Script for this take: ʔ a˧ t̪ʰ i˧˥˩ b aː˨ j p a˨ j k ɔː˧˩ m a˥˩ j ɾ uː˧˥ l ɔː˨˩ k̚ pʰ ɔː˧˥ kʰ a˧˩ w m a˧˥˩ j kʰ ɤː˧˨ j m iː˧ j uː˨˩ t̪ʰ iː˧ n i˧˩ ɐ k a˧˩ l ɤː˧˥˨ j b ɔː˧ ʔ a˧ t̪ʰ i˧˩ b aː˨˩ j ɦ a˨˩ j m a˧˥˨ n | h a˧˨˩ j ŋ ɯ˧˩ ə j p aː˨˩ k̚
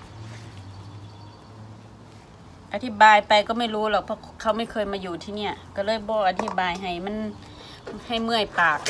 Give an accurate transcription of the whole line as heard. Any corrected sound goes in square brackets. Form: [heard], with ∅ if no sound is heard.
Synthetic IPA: ʔ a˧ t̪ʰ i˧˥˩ b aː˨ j p a˨ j k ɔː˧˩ m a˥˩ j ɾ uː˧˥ l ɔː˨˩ k̚ pʰ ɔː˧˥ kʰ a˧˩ w m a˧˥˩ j kʰ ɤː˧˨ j m [aː˧] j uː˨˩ t̪ʰ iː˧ n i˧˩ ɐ k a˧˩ l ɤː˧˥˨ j b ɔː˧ ʔ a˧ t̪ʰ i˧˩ b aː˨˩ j ɦ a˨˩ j m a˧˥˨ n | h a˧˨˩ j [m] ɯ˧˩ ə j p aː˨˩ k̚